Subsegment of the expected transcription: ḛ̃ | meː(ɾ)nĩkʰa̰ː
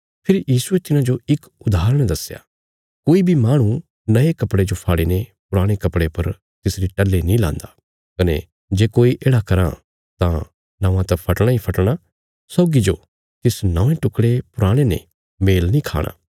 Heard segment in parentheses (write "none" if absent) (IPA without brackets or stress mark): l